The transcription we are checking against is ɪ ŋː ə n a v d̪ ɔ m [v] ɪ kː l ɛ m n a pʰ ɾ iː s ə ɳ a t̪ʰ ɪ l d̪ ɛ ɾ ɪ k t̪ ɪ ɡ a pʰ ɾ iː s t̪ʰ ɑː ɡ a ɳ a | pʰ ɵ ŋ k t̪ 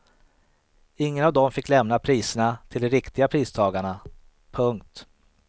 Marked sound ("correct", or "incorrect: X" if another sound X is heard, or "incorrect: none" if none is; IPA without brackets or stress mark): incorrect: f